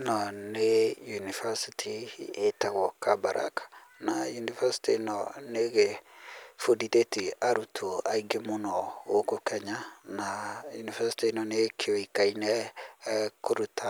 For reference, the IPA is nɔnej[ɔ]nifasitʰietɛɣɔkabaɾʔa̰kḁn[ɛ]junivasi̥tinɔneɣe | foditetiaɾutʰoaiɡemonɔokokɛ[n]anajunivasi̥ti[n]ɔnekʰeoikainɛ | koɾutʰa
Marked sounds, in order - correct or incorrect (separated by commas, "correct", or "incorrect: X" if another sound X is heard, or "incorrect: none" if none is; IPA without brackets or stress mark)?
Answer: incorrect: u, incorrect: a, incorrect: ɲ, correct